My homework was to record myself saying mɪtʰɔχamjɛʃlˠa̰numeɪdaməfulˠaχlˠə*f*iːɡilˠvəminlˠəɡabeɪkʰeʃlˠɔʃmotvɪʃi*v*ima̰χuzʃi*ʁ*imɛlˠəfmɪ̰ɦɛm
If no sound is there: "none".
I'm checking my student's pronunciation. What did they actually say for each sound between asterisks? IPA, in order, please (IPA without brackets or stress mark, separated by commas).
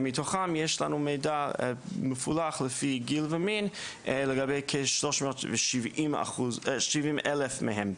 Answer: f, v, v